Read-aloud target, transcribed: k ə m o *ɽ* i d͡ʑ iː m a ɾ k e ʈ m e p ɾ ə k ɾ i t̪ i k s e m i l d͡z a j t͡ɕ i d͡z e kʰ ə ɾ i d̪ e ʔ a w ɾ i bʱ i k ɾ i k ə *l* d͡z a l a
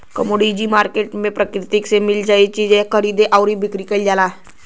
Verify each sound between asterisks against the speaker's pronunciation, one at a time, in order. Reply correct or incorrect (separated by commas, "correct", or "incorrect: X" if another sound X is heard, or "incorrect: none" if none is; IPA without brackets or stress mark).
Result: correct, correct